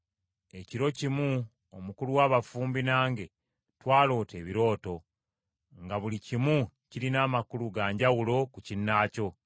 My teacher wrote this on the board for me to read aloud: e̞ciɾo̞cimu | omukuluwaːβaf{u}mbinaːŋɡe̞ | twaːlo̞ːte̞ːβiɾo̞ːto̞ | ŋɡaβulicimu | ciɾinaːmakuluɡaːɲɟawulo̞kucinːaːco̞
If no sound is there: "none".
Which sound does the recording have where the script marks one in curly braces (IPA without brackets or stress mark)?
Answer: uː